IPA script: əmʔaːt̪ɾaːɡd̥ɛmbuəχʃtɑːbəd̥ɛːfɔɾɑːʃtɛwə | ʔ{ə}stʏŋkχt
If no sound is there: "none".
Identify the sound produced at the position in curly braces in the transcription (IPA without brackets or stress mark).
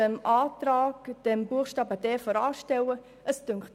ə